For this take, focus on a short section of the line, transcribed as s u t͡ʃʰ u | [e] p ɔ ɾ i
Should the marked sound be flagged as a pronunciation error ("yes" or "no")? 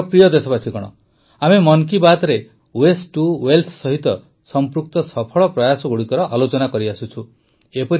no